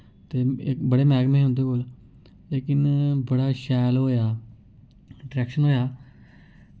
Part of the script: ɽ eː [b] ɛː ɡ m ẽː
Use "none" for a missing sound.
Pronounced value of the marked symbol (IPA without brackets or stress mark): m